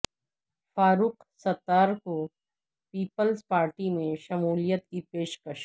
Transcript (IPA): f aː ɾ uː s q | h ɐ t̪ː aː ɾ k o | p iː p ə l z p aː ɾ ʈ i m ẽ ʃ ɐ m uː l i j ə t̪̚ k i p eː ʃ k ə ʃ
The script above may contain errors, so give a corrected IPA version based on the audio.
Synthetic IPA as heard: f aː ɾ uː q | s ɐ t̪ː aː ɾ k o | p iː p ə l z p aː ɾ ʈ i m ẽ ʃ ɐ m uː l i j ə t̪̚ k i p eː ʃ k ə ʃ